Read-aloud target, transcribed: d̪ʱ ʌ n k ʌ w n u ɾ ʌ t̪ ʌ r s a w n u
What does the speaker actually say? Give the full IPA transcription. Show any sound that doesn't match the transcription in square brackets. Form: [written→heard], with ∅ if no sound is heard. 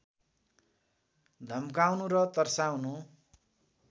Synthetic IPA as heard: d̪ʱ ʌ [n→m] k [ʌ→a] w n u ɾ ʌ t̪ ʌ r s a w n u